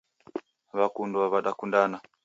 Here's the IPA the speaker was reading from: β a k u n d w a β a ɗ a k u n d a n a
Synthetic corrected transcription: β a k u n d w a β a ɗ a k u n d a n a

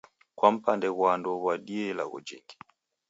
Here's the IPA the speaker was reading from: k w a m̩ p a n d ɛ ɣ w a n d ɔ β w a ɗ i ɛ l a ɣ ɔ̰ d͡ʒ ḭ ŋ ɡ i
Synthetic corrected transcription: k w a m̩ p a n d ɛ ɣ w a n d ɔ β w a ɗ i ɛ l a ɣ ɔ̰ d͡ʒ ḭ ŋ ɡ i

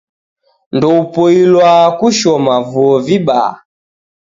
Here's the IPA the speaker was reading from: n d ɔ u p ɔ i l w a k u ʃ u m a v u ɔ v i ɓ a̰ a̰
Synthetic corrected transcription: n d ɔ u p ɔ i l w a k u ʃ ɔ m a v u ɔ v i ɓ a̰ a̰

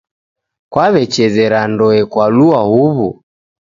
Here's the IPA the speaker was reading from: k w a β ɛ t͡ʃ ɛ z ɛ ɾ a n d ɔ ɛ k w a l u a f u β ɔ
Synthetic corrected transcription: k w a β ɛ t͡ʃ ɛ z ɛ ɾ a n d ɔ ɛ k w a l u a h u β u

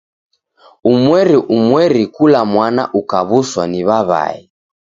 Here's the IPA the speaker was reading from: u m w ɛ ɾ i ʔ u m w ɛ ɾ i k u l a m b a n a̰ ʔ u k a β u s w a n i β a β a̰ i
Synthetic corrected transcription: u m w ɛ ɾ i ʔ u m w ɛ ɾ i k u l a m w a n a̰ ʔ u k a β u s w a n i β a β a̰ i

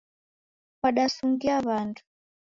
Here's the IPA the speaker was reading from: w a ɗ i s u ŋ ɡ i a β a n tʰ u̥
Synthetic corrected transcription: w a ɗ a s u ŋ ɡ i a β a n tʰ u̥

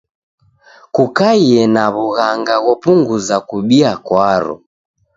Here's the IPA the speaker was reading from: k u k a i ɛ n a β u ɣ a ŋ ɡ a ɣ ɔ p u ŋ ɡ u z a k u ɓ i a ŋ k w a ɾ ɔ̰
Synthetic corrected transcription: k u k a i ɛ n a β u ɣ a ŋ ɡ a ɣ ɔ p u ŋ ɡ u z a k u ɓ i a k w a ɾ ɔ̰

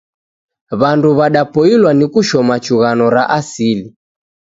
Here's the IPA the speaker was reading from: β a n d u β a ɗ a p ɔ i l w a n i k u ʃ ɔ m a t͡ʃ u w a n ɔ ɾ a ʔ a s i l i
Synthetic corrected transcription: β a n d u β a ɗ a p ɔ i l w a n i k u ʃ ɔ m a t͡ʃ u ɣ a n ɔ ɾ a ʔ a s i l i

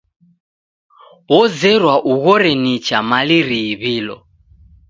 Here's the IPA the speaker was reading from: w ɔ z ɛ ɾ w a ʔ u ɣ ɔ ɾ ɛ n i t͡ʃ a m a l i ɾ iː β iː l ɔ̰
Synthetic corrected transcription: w ɔ z ɛ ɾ w a ʔ u ɣ ɔ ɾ ɛ n i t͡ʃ a m a l i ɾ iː β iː l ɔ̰

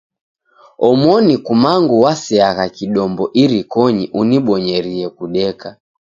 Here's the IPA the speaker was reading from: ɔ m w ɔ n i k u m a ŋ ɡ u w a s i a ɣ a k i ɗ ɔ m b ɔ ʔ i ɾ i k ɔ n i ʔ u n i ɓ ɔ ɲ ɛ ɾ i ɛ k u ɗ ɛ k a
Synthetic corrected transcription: ɔ m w ɔ n i k u m a ŋ ɡ u w a s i a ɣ a k i ɗ ɔ m b ɔ ʔ i ɾ i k ɔ ɲ i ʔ u n i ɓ ɔ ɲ ɛ ɾ i ɛ k u ɗ ɛ k a

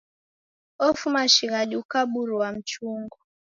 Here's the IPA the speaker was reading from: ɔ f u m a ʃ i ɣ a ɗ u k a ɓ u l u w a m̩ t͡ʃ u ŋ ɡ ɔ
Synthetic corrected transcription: ɔ f u m a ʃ i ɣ a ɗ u k a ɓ u ɾ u w a m̩ t͡ʃ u ŋ ɡ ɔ

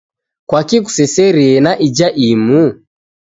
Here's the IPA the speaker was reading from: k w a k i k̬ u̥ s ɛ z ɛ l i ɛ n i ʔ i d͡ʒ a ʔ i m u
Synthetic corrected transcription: k w a k i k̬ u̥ s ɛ s ɛ ɾ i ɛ n a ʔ i d͡ʒ a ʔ i m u

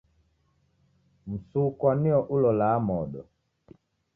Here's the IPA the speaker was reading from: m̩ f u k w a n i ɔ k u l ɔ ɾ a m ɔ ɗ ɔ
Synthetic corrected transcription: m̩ s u k w a n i ɔ ʔ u l ɔ l a m ɔ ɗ ɔ

